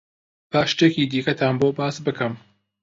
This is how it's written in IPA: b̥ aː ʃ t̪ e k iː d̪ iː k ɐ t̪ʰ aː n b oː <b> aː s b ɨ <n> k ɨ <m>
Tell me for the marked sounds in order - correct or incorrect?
correct, incorrect, correct

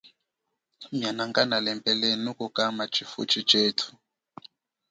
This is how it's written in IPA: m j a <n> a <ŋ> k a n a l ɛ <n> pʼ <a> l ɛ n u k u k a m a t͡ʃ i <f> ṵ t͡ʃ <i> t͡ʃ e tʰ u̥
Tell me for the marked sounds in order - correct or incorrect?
correct, correct, incorrect, incorrect, correct, correct

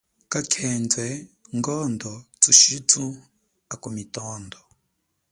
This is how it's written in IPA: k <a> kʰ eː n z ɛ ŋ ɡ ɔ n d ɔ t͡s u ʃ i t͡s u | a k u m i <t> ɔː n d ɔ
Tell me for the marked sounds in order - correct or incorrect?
correct, correct

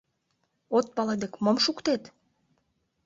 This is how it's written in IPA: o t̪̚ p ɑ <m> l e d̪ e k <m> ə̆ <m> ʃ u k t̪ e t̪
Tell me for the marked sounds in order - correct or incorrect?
incorrect, correct, correct

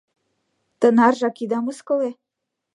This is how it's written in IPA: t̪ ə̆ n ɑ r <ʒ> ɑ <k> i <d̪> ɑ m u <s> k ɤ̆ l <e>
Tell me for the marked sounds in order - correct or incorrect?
correct, correct, correct, correct, correct

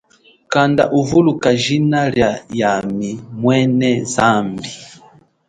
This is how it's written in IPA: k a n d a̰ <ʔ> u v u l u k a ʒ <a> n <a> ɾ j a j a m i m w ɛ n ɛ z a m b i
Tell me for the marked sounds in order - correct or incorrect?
correct, incorrect, correct

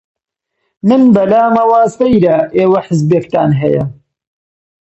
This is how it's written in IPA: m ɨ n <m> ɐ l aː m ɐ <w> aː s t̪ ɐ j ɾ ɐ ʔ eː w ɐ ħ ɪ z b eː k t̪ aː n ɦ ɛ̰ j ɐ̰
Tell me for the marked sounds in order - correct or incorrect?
incorrect, correct

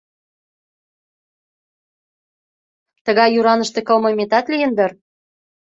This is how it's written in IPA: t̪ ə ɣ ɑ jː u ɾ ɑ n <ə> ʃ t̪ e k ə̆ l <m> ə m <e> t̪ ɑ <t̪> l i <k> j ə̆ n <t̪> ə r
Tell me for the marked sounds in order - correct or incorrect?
correct, correct, correct, correct, incorrect, incorrect

